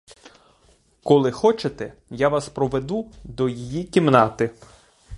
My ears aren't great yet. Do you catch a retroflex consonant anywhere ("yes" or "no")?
no